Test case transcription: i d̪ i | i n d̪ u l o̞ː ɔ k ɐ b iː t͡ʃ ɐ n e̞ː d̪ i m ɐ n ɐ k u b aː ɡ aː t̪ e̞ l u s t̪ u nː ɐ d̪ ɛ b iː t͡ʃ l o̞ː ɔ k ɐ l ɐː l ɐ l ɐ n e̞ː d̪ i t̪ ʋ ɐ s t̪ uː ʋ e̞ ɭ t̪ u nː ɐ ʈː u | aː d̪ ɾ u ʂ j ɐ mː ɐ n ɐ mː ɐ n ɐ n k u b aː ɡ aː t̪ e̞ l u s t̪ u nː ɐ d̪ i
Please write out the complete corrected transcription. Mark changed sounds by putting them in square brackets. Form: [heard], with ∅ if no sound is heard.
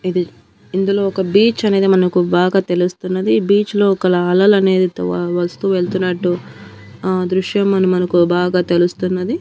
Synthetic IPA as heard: i d̪ i | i n d̪ u l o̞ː ɔ k ɐ b iː t͡ʃ ɐ n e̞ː d̪ i m ɐ n ɐ k u b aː ɡ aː t̪ e̞ l u s t̪ u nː ɐ d̪ [i] b iː t͡ʃ l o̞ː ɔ k ɐ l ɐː l ɐ l ɐ n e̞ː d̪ i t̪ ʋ ɐ s t̪ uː ʋ e̞ ɭ t̪ u nː ɐ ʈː u | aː d̪ ɾ u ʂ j ɐ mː ɐ n ɐ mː ɐ n ɐ [∅] k u b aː ɡ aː t̪ e̞ l u s t̪ u nː ɐ d̪ i